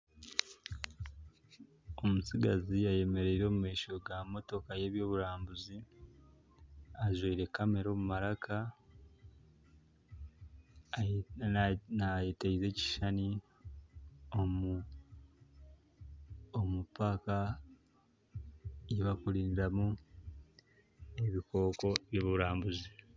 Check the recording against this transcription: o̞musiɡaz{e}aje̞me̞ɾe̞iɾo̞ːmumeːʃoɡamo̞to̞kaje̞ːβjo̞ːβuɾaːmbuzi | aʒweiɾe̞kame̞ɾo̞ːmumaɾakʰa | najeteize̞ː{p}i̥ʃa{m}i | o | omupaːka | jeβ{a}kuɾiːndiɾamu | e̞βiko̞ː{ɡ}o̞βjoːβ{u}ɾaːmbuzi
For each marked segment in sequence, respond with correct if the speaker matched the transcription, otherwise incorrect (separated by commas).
incorrect, incorrect, incorrect, correct, incorrect, correct